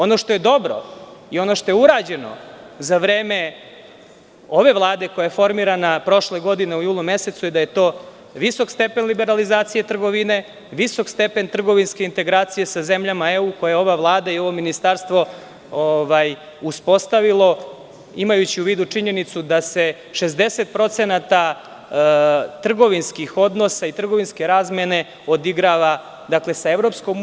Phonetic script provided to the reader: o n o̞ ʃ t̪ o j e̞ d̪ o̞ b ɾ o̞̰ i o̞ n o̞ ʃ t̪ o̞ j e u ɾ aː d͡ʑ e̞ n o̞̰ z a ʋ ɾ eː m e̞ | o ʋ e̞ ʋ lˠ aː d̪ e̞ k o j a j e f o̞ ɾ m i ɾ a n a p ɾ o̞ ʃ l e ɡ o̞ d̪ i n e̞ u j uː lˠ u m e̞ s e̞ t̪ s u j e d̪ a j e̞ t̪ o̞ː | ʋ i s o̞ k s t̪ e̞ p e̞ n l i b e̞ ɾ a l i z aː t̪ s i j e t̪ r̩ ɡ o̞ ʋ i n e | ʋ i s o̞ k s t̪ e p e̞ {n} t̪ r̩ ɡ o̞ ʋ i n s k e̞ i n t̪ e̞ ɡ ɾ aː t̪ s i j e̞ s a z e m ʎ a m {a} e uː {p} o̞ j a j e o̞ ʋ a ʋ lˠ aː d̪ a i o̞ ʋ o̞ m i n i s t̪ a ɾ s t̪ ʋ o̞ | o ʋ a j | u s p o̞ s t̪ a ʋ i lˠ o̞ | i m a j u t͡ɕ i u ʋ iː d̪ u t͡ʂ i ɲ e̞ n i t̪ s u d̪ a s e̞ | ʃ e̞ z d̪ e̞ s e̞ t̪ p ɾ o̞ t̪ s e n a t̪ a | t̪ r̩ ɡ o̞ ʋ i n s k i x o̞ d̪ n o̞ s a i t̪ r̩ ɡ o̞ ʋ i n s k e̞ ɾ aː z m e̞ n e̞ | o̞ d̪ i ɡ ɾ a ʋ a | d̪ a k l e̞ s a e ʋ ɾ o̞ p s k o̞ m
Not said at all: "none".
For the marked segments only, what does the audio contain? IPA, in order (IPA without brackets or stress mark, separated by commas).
n, a, k